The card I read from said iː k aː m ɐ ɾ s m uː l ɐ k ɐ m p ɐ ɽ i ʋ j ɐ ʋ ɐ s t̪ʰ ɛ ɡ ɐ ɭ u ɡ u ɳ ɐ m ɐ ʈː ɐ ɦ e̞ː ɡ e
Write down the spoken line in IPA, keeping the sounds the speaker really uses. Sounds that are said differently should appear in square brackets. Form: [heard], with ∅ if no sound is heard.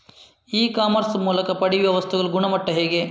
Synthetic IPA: iː k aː m ɐ ɾ s m uː l ɐ k ɐ [∅] p ɐ ɽ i ʋ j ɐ ʋ ɐ s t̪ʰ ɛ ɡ ɐ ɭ u ɡ u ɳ ɐ m ɐ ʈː ɐ ɦ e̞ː ɡ e